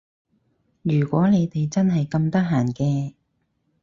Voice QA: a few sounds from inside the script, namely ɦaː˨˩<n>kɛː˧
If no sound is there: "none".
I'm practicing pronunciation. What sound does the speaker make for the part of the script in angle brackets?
n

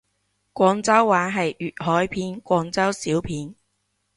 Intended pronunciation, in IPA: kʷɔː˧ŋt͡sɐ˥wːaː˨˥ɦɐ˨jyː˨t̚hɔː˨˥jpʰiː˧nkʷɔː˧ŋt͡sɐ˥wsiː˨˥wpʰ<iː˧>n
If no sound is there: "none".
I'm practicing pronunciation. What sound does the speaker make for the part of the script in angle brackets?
iː˨˥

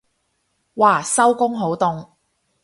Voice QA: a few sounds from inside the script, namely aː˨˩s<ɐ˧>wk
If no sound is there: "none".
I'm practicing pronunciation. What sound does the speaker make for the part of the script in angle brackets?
ɐ˥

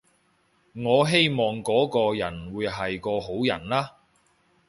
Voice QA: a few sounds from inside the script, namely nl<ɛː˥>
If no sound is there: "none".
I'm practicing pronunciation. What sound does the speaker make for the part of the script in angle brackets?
aː˥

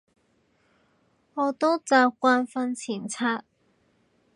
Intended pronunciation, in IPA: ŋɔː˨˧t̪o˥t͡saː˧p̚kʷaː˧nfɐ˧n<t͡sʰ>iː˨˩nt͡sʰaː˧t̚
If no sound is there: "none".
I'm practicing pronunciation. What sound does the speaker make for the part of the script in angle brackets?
t͡sʰ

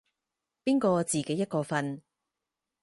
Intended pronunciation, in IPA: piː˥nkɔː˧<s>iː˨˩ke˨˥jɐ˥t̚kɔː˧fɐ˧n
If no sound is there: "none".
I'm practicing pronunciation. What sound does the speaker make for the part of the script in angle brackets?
t͡s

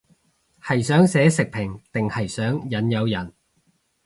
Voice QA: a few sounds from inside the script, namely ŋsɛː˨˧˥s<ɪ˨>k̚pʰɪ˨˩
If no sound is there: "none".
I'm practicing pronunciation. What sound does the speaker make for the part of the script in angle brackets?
ɪ˨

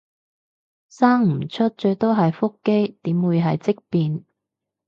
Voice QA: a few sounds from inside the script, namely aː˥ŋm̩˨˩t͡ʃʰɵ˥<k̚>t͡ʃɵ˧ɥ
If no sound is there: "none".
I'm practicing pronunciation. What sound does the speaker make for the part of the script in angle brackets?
t̚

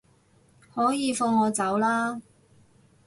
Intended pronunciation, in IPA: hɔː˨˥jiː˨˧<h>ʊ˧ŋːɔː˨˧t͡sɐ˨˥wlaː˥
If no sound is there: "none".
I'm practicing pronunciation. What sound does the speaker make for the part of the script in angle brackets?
f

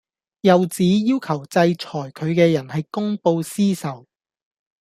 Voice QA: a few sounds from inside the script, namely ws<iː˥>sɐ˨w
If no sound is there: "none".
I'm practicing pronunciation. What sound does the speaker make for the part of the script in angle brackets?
iː˥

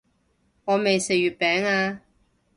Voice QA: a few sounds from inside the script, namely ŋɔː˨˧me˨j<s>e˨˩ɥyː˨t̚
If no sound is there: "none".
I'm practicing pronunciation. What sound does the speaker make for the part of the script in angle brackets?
s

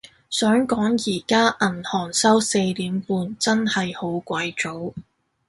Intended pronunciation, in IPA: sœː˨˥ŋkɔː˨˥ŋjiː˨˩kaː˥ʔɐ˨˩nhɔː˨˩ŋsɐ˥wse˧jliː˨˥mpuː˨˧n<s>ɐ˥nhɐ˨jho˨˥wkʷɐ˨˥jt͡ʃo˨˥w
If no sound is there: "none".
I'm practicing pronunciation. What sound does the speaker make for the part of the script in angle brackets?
t͡s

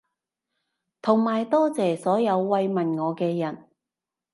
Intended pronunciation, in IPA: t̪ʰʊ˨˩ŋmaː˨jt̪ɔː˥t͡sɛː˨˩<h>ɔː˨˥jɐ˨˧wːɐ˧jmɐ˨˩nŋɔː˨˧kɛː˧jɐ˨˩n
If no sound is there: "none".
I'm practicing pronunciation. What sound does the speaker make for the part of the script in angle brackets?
s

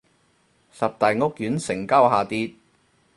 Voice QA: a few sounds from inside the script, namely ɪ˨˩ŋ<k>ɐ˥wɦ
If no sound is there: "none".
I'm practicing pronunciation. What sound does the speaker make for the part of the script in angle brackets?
k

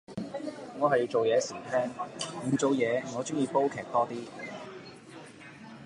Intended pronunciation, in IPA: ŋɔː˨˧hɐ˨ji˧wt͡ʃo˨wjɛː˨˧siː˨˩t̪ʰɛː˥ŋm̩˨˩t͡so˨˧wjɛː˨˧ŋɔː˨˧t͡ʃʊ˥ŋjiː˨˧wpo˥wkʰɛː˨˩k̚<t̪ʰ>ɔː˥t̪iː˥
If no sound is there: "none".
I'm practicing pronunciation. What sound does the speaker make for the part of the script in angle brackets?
t̪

